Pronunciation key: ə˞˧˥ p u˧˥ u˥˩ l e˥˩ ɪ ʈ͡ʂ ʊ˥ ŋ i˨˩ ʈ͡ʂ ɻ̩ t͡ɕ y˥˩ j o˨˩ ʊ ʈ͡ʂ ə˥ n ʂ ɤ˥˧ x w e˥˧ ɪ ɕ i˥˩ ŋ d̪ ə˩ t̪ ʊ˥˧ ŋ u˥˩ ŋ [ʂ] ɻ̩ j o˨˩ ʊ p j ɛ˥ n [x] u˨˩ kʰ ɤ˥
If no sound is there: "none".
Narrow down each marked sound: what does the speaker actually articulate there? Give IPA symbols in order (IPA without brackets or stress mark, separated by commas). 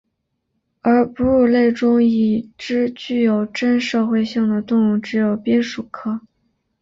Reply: ʈ͡ʂ, ʂ